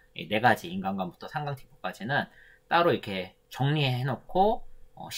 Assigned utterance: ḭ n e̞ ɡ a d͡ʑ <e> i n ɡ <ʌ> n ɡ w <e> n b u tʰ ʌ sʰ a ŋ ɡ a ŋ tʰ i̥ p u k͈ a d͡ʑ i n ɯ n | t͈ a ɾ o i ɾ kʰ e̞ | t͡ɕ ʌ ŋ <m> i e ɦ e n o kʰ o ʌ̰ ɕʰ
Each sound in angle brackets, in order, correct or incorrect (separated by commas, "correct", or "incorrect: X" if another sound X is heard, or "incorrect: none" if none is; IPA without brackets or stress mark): incorrect: i, incorrect: a, incorrect: a, incorrect: ɲ